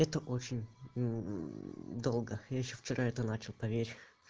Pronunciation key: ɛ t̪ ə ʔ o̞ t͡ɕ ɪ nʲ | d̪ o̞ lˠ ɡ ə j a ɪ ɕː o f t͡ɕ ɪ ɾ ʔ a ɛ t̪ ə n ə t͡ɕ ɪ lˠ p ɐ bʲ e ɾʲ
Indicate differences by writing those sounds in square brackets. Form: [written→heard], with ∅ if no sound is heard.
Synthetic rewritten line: ɛ t̪ ə ʔ o̞ t͡ɕ ɪ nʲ | d̪ o̞ lˠ ɡ ə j a ɪ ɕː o f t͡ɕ ɪ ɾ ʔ a ɛ t̪ ə n [ə→a] t͡ɕ ɪ lˠ p ɐ [bʲ→vʲ] e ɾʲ